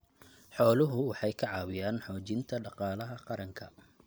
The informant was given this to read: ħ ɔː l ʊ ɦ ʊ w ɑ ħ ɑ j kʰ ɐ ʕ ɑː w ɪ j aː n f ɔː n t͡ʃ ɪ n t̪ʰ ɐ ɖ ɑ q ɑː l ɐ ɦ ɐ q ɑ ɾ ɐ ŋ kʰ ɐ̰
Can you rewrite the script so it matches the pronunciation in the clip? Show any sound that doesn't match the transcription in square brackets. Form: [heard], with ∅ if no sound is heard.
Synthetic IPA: ħ ɔː l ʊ ɦ ʊ w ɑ ħ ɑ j kʰ ɐ ʕ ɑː w ɪ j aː n [ħ] ɔː [∅] t͡ʃ ɪ n t̪ʰ ɐ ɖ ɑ q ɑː l ɐ ɦ ɐ q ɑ ɾ ɐ ŋ kʰ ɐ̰